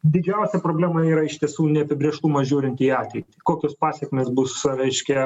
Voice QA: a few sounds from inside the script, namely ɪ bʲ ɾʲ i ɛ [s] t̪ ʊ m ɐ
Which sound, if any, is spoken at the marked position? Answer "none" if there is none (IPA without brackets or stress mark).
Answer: ʃ